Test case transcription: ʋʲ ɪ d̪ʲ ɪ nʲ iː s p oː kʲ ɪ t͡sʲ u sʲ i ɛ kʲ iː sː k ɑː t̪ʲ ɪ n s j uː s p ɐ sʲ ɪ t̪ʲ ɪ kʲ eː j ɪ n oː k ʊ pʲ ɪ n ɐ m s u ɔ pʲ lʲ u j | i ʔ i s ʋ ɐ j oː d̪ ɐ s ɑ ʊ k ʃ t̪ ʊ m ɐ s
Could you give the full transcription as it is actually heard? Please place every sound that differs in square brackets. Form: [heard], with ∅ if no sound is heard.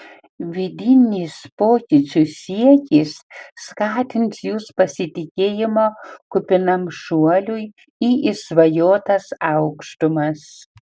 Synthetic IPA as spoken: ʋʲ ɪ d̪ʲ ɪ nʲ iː s p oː kʲ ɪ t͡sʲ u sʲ i ɛ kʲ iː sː k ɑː t̪ʲ ɪ n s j uː s p ɐ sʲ ɪ t̪ʲ ɪ kʲ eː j ɪ [m] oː k ʊ pʲ ɪ n ɐ m [ʃ] u ɔ [∅] lʲ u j | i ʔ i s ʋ ɐ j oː [t̪] ɐ s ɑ ʊ k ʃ t̪ ʊ m ɐ s